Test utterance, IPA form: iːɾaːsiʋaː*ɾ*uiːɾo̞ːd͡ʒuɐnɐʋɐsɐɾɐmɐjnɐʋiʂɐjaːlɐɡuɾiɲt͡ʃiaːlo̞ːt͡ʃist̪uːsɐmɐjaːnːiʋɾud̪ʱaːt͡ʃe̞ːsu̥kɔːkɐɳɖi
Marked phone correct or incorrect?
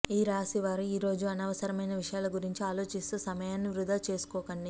correct